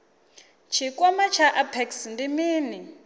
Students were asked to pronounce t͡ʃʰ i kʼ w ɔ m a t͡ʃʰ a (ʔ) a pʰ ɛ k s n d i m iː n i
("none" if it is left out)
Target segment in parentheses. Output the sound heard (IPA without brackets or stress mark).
ʔ